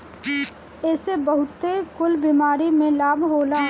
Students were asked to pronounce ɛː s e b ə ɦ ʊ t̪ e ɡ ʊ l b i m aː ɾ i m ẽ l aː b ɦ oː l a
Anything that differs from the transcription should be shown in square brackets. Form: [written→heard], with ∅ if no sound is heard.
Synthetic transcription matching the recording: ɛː s e b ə ɦ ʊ t̪ e [ɡ→k] ʊ l b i m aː ɾ i m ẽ l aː b ɦ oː l a